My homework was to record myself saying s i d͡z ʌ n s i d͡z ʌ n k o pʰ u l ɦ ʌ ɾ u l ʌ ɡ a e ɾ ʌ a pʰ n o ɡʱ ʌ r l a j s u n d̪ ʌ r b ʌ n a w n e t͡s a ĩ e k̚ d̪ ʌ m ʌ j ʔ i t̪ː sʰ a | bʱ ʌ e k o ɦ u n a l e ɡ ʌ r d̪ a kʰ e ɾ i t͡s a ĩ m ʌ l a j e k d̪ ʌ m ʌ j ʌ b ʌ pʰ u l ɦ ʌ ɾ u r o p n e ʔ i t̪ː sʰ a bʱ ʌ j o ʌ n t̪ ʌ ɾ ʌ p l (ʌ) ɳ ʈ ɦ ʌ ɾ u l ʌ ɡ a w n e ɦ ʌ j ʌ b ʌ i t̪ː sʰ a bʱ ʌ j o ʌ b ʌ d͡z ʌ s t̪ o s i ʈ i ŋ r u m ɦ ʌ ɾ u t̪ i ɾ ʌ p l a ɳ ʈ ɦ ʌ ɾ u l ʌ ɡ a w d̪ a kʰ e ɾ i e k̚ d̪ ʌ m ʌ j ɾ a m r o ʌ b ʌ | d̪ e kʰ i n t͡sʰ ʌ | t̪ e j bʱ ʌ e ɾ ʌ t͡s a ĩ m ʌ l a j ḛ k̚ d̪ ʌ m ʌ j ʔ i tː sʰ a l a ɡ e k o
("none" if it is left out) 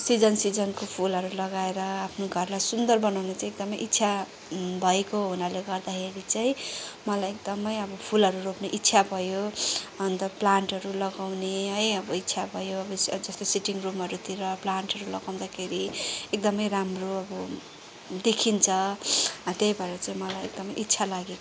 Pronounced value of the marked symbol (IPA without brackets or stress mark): a